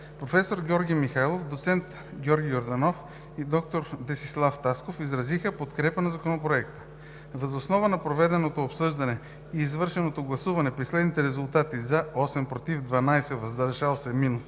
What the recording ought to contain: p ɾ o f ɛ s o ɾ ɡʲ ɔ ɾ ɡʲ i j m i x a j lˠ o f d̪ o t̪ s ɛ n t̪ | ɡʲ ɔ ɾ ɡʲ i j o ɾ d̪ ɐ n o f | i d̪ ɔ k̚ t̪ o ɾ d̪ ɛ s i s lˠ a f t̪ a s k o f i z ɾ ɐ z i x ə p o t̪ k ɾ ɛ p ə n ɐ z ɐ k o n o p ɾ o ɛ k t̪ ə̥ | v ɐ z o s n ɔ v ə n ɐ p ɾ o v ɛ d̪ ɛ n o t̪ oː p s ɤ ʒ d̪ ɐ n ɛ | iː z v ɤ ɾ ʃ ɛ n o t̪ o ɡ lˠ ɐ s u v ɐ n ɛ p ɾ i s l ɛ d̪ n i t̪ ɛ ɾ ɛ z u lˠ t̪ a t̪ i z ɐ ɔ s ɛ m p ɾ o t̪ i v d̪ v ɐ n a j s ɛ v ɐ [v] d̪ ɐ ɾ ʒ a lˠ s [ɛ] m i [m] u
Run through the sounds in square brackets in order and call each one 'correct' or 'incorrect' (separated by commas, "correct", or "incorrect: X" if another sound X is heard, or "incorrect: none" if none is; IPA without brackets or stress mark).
incorrect: z, correct, incorrect: n